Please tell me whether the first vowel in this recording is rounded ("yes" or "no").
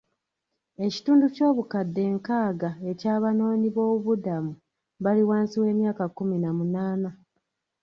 no